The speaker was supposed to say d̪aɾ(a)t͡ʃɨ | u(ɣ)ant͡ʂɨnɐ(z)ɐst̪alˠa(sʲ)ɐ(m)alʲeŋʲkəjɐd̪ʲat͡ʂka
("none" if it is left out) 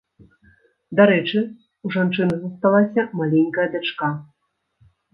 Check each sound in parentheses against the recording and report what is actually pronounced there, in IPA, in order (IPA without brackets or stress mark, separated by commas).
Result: ɛ, ʐ, z, sʲ, m